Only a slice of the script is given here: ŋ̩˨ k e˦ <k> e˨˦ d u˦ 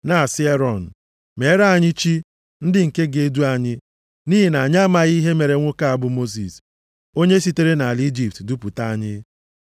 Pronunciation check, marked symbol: incorrect: ɡ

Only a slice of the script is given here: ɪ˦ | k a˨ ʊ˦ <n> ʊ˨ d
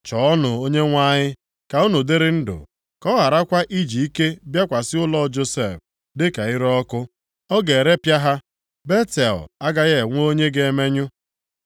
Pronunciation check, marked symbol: correct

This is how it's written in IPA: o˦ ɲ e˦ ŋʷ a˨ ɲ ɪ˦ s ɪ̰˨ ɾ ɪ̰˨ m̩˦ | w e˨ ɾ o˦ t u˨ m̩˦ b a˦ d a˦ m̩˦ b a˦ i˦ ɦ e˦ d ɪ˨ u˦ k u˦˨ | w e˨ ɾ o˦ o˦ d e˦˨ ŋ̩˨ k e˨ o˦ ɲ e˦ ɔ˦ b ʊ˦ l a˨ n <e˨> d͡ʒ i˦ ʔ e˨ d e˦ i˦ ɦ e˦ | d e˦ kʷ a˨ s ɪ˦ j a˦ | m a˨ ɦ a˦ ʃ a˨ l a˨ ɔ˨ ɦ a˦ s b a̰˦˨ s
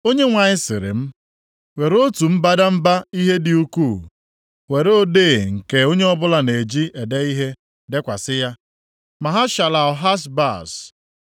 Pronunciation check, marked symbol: correct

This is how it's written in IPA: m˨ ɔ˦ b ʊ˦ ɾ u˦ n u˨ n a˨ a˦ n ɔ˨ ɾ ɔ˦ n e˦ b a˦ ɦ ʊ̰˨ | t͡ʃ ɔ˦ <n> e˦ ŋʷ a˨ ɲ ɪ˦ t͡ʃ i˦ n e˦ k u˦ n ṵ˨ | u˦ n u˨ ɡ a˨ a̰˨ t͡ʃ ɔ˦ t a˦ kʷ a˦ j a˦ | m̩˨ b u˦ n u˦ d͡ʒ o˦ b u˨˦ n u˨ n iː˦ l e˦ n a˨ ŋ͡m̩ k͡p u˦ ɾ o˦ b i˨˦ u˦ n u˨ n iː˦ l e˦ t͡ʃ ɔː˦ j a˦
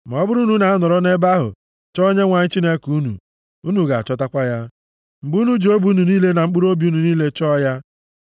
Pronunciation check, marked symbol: incorrect: ɲ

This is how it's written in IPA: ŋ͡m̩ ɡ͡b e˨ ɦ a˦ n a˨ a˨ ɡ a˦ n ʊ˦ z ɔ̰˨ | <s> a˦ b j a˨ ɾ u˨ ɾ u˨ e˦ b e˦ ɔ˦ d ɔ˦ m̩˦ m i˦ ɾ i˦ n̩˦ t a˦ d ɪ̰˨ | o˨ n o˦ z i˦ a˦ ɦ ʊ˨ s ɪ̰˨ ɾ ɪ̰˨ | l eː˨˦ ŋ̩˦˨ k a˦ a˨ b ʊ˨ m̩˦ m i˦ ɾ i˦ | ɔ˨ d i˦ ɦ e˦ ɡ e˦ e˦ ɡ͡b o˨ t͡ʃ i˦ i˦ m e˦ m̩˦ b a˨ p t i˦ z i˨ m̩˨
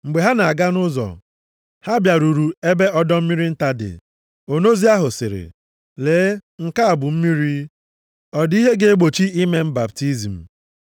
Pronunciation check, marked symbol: incorrect: h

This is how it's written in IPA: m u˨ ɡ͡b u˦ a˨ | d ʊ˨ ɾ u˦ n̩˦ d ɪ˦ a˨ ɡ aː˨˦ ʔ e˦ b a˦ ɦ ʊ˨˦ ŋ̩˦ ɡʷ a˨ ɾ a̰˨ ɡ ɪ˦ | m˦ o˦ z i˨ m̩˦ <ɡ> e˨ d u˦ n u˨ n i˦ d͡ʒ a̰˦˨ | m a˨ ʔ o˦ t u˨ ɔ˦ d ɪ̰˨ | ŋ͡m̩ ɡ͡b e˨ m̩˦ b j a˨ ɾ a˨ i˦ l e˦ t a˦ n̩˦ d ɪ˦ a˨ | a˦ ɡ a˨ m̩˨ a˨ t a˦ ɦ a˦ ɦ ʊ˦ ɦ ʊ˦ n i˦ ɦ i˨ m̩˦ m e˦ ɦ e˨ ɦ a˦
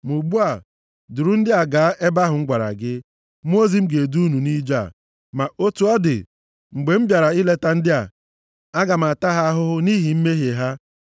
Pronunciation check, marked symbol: correct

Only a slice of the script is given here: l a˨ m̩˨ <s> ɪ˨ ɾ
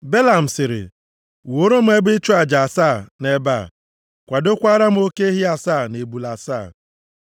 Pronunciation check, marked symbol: correct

